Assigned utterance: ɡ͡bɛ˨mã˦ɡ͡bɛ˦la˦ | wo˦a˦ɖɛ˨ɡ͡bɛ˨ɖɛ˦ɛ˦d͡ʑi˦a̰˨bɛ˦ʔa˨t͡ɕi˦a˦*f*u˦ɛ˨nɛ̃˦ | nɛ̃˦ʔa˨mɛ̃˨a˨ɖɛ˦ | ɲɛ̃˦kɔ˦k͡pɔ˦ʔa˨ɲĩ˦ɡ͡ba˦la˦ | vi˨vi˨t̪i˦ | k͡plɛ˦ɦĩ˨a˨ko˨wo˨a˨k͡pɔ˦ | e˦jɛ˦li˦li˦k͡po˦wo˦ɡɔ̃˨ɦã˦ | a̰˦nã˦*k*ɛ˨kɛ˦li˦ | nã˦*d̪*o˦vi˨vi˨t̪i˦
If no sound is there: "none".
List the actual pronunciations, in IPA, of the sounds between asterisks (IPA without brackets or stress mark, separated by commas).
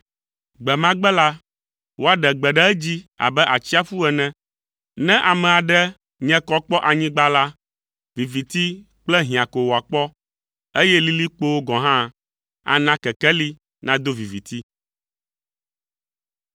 f, k, d̪